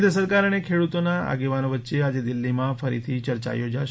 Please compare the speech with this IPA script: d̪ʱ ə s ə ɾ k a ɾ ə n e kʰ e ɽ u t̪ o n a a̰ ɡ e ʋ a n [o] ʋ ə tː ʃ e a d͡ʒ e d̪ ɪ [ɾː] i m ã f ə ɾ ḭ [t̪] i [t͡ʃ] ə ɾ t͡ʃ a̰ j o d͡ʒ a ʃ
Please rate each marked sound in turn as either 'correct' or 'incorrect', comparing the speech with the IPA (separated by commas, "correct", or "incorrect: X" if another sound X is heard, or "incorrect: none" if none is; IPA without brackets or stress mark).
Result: correct, incorrect: lː, incorrect: t̪ʰ, correct